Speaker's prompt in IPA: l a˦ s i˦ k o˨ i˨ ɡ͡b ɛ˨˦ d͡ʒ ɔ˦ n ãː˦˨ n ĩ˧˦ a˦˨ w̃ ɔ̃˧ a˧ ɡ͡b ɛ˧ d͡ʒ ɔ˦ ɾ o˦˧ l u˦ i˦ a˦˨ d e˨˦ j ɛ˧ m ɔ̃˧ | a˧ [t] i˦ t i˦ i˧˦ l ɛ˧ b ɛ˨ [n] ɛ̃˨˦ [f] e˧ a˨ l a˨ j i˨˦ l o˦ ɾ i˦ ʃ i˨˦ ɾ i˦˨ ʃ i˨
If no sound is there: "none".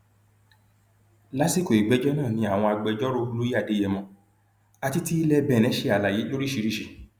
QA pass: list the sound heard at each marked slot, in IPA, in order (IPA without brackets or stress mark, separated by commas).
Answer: t, n, ʃ